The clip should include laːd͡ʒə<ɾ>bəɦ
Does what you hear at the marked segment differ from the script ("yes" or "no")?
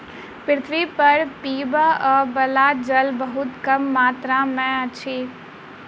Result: yes